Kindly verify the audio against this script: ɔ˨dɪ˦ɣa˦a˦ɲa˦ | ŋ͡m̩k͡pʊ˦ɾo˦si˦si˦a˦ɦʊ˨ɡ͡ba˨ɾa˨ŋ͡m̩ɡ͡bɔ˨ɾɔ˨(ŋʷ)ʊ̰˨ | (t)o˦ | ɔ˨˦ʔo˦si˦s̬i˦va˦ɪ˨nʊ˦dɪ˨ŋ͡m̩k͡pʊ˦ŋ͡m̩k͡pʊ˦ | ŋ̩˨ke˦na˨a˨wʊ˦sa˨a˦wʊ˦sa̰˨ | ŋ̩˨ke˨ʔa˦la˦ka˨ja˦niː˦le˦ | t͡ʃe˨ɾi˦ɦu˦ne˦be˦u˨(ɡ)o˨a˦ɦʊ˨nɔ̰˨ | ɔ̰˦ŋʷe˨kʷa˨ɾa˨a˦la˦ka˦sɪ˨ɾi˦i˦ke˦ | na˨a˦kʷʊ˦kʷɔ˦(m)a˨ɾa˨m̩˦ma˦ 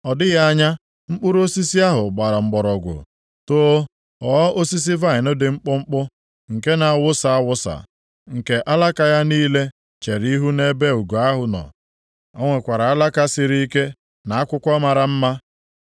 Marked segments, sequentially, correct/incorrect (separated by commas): incorrect, correct, correct, correct